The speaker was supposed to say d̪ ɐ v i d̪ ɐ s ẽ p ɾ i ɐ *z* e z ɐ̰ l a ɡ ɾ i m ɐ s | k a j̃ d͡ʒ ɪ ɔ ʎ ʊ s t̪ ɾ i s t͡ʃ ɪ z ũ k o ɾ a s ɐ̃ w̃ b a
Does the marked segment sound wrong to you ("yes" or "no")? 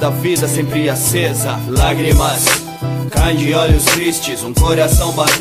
yes